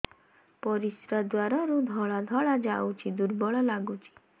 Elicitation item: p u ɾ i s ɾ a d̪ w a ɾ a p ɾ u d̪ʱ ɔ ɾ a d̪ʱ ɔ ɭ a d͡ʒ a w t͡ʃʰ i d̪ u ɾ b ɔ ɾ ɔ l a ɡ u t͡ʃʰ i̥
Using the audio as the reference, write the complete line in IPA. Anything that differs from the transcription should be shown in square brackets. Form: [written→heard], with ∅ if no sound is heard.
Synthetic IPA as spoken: p [u→ɔ] ɾ i s ɾ a d̪ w a ɾ a [p→∅] ɾ u d̪ʱ ɔ [ɾ→ɭ] a d̪ʱ ɔ ɭ a d͡ʒ a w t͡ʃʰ i d̪ u ɾ b ɔ [ɾ→ɭ] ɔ l a ɡ u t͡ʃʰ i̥